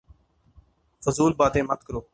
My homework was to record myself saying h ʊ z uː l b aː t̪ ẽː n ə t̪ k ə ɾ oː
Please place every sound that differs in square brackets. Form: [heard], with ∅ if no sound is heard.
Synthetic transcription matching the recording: [f] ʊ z uː l b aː t̪ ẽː [m] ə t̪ k ə ɾ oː